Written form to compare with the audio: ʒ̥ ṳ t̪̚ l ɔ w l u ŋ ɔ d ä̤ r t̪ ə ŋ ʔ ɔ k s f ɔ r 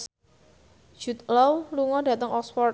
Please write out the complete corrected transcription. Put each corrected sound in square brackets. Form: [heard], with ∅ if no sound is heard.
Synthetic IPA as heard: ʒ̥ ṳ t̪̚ l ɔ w l u ŋ ɔ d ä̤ [∅] t̪ ə ŋ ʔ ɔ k s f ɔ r